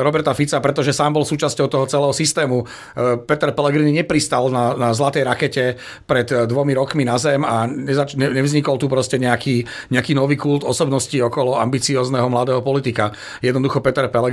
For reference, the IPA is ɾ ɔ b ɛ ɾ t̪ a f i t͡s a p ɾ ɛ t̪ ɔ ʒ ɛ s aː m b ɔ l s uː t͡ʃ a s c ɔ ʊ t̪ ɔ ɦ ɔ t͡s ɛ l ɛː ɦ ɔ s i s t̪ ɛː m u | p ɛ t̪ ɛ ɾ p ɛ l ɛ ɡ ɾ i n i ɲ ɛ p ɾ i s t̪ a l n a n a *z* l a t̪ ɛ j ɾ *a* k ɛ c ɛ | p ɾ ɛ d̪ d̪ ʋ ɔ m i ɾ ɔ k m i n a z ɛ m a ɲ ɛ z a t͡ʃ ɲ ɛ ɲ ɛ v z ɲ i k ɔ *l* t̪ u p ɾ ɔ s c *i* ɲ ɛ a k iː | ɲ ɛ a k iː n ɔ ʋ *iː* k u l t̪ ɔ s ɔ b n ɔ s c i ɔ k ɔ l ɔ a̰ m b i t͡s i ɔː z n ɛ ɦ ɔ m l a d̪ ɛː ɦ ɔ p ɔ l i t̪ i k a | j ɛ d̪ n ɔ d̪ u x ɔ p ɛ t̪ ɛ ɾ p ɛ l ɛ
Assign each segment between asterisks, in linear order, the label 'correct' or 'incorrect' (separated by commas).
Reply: correct, correct, correct, incorrect, correct